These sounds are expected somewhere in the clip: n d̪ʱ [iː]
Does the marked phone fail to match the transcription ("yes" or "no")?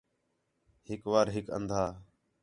yes